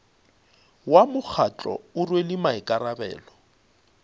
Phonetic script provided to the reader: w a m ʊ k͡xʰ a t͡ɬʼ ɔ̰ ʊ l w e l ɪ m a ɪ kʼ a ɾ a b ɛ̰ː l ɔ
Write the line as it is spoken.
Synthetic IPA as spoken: w a m ʊ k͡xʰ a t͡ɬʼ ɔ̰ ʊ r w e l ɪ m a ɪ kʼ a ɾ a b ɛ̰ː l ɔ